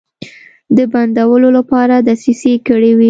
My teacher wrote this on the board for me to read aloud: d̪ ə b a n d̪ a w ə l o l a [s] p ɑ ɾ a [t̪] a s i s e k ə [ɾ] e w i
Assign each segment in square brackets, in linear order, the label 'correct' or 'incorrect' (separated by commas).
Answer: incorrect, incorrect, incorrect